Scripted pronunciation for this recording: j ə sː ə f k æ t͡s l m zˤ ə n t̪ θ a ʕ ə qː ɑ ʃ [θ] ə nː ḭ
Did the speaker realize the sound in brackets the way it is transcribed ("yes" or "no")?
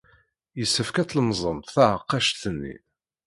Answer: yes